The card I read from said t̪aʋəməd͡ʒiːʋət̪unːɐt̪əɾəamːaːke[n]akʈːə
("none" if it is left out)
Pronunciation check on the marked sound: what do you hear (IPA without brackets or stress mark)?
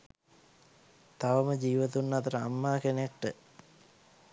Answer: n